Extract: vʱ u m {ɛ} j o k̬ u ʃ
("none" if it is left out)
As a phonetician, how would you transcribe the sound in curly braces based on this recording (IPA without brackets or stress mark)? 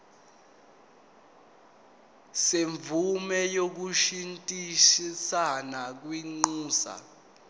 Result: ɛ